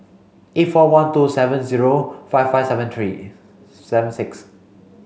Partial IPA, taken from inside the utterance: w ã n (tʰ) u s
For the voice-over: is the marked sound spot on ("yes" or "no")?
no